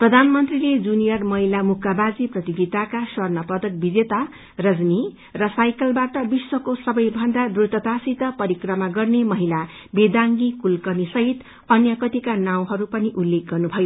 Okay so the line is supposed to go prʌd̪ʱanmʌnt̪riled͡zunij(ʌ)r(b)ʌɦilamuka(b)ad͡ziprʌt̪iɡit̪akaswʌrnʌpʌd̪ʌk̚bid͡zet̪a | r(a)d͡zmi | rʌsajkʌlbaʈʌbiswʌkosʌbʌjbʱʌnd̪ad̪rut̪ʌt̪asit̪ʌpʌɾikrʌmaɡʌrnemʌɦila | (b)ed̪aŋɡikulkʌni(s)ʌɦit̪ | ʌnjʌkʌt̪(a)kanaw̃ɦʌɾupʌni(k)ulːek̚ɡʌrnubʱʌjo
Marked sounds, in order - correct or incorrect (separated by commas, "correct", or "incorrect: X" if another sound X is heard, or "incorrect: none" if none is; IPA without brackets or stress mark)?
correct, incorrect: m, correct, incorrect: ʌ, correct, correct, incorrect: i, incorrect: ʔ